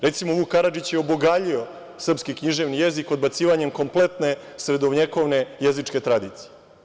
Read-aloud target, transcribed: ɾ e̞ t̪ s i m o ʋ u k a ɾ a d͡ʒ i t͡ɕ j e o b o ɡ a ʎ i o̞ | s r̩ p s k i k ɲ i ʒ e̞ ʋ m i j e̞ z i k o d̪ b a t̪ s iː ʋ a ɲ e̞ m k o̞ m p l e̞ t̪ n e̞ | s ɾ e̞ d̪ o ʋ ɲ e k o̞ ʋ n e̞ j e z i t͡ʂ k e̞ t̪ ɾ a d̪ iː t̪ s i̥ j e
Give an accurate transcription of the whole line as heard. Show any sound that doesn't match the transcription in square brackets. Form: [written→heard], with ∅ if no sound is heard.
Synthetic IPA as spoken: ɾ e̞ t̪ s i m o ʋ u k a ɾ a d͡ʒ i t͡ɕ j e o b o ɡ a ʎ i o̞ | s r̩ p s k i k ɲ i ʒ e̞ ʋ [m→n] i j e̞ z i k o d̪ b a t̪ s iː ʋ a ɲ e̞ m k o̞ m p l e̞ t̪ n e̞ | s ɾ e̞ d̪ o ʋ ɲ e k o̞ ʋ n e̞ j e z i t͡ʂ k e̞ t̪ ɾ a d̪ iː t̪ s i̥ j e